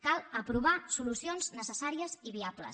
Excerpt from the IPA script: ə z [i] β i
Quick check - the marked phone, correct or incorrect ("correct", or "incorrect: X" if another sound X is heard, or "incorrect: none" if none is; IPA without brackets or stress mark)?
correct